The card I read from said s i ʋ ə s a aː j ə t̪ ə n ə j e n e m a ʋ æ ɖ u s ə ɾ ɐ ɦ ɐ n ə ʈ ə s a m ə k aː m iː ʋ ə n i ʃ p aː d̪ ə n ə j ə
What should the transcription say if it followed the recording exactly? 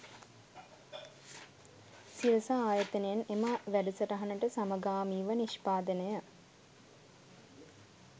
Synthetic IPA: s i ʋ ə s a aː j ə t̪ ə n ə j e n e m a ʋ æ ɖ u s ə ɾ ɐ ɦ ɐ n ə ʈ ə s a m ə ɡ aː m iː ʋ ə n i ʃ p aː d̪ ə n ə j ə